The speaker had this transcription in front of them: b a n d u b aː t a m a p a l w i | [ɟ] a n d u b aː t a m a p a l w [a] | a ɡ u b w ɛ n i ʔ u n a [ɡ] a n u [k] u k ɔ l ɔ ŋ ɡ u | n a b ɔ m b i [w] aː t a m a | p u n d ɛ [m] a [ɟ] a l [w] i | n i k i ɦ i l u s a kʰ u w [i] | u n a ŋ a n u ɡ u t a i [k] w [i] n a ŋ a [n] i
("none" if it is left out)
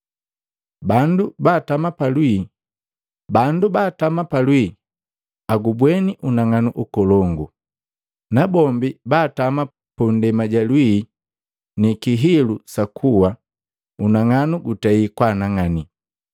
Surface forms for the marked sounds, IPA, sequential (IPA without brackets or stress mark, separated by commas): b, i, ŋ, ʔ, b, m, ɟ, w, a, k, a, n